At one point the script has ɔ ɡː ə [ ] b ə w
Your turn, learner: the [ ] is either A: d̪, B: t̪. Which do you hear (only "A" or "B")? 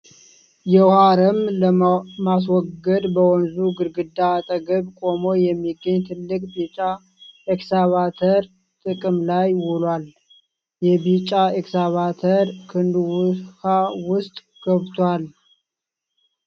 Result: A